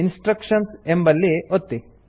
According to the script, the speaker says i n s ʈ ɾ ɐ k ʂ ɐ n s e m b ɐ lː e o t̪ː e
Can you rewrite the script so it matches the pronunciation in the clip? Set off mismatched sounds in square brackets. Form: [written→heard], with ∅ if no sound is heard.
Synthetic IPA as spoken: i n s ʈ ɾ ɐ k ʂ ɐ n s e m b ɐ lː [e→i] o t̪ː [e→i]